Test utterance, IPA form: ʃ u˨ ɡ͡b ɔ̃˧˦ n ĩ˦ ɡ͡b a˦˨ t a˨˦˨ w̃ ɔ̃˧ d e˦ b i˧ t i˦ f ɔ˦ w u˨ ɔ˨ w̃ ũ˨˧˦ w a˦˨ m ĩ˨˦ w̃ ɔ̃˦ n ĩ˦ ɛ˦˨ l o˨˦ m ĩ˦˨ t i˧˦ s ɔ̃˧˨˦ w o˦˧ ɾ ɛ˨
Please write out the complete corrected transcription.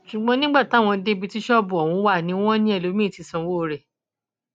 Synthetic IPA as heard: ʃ u˨ ɡ͡b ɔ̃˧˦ n ĩ˦ ɡ͡b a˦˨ t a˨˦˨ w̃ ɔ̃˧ d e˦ b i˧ t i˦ ʃ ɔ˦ b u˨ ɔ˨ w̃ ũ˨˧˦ w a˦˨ n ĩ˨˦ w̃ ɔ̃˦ n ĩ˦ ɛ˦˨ l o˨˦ m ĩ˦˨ t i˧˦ s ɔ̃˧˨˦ w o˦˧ ɾ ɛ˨